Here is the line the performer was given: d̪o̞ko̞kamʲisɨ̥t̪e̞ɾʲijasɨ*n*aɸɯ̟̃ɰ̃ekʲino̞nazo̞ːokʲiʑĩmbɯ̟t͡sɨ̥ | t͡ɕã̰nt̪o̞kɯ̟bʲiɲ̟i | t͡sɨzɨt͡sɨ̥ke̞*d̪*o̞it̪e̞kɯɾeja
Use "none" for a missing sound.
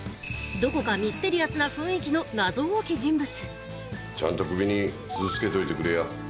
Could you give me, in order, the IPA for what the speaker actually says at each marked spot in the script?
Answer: n, t̪

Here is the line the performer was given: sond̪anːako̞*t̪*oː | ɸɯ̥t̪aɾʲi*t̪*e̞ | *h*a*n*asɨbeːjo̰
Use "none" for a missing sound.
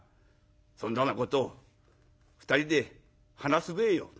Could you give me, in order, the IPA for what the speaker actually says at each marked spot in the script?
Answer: t̪, d̪, h, n

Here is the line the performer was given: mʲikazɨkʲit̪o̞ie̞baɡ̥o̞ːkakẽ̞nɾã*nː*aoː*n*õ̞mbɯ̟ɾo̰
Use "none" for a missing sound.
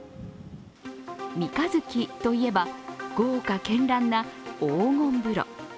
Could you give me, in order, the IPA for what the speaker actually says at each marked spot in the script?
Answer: nː, ŋ

